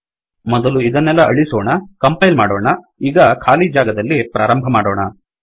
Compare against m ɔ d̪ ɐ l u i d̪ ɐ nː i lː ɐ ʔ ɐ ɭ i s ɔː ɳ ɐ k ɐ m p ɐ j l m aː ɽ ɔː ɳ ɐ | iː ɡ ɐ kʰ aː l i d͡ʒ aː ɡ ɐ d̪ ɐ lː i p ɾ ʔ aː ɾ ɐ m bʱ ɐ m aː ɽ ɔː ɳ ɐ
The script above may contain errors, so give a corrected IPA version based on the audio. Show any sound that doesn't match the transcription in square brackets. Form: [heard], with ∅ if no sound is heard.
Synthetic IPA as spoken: m ɔ d̪ ɐ l u i d̪ ɐ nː [ɛ] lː ɐ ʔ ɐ ɭ i s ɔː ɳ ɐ k ɐ m p ɐ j l m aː ɽ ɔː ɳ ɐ | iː ɡ ɐ kʰ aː l i d͡ʒ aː ɡ ɐ d̪ ɐ lː i p ɾ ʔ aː ɾ ɐ m bʱ ɐ m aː ɽ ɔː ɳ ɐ